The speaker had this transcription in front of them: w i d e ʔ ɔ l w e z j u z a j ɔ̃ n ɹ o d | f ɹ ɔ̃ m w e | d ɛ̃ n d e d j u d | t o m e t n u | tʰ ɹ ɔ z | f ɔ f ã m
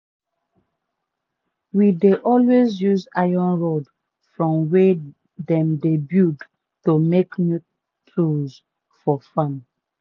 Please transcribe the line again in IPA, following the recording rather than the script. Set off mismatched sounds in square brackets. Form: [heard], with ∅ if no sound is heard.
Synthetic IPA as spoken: w i d e ʔ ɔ l w e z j u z a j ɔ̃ n ɹ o d | f ɹ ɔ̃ m w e | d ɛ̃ [m] d e [b] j u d | t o m e [k] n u | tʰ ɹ [u] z | f ɔ f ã m